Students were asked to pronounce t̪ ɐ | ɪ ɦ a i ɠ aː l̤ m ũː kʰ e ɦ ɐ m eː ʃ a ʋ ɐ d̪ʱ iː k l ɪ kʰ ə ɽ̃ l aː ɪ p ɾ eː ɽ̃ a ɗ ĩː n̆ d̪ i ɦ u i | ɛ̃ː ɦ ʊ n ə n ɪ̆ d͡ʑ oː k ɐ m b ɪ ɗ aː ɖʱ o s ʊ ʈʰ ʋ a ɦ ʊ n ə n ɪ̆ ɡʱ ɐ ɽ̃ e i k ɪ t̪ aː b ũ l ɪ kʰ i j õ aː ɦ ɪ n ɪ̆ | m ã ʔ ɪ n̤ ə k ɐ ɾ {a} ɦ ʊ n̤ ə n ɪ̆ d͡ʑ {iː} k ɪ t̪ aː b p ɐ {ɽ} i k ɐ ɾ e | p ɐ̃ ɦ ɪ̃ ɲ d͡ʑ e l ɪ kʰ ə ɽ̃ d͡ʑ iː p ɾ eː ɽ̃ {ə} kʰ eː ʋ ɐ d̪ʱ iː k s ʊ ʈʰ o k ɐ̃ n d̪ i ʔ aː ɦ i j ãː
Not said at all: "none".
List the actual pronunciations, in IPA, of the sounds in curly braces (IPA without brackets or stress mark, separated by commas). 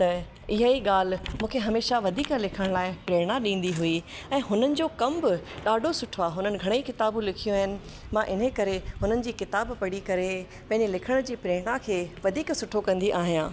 e, iː, ɽ, a